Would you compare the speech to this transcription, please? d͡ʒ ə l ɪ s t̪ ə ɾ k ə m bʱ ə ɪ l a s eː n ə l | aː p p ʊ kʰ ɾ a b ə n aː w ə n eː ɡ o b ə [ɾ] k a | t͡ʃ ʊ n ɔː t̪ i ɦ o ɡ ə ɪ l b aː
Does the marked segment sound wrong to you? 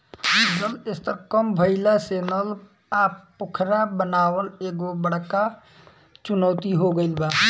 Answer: yes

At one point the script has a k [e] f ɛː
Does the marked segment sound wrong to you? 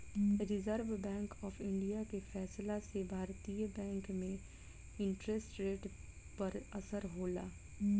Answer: no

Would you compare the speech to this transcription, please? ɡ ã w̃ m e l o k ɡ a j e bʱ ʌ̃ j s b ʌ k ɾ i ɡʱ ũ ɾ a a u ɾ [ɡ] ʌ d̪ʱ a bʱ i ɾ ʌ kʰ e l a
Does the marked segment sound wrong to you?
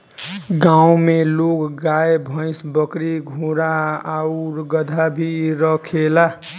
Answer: no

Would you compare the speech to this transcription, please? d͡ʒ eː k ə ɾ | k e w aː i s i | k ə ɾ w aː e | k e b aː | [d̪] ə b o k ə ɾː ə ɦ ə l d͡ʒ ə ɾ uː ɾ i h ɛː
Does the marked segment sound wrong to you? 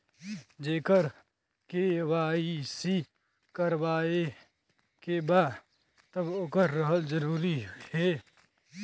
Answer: yes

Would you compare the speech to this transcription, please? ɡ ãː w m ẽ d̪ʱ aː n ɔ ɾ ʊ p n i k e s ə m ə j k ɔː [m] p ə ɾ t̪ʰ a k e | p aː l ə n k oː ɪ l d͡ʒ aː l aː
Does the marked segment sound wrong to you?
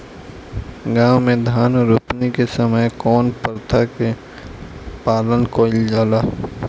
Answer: yes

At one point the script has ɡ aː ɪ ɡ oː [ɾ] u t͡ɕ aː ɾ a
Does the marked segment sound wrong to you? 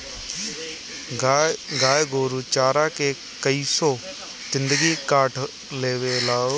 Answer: no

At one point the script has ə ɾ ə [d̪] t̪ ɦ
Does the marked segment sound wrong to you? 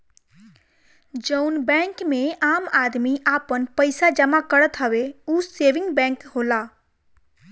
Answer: yes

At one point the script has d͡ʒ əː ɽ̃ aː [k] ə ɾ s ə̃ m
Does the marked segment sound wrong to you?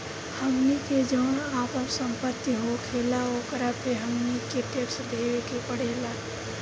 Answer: yes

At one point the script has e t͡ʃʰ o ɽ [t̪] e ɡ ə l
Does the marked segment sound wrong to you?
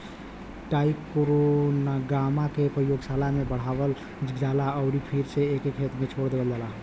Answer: yes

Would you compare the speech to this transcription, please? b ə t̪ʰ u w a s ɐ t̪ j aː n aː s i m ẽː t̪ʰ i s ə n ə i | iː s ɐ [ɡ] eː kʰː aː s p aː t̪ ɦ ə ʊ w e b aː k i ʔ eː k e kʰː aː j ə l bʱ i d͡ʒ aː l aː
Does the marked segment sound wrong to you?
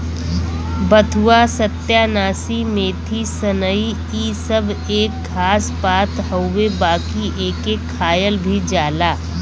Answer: yes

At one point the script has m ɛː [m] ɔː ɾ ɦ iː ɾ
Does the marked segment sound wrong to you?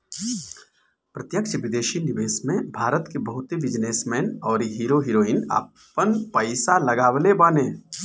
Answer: yes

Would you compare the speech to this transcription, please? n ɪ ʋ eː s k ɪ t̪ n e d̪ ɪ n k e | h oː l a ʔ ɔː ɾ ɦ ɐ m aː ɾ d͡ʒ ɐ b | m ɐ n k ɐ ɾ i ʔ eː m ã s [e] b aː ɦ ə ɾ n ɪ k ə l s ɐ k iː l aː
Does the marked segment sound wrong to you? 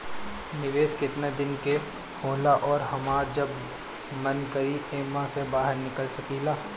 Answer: no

